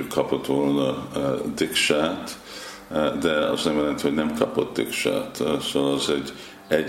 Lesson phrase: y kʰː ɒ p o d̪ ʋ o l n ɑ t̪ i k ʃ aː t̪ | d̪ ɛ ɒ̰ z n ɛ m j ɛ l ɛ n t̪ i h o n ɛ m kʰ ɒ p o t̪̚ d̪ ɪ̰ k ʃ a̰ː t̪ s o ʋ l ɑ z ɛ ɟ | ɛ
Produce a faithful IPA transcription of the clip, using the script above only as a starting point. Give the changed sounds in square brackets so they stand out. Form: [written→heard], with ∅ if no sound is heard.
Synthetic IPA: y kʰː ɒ p o [d̪→t̪] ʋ o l n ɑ [t̪→d̪] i k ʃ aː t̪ | d̪ ɛ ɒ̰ z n ɛ m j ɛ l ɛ n t̪ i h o n ɛ m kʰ ɒ p o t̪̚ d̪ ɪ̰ k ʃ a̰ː t̪ s o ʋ l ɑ z ɛ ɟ | ɛ